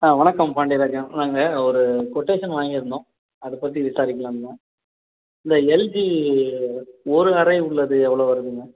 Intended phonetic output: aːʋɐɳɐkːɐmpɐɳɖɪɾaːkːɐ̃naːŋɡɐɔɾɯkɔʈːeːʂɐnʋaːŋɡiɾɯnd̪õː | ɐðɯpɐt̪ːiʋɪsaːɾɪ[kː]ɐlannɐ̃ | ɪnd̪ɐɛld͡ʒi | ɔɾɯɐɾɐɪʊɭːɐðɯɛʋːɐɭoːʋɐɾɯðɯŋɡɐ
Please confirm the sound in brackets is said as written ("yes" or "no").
yes